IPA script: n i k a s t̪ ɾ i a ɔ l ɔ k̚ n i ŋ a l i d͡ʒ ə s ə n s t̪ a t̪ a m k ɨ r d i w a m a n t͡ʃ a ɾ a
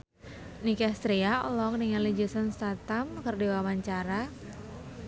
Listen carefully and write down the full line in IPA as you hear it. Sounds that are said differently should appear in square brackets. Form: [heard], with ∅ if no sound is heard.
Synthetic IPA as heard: n i k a s t̪ ɾ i a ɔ l ɔ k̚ n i ŋ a l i d͡ʒ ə s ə n s t̪ a t̪ a m k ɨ r d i w a m a [ɲ] t͡ʃ a ɾ a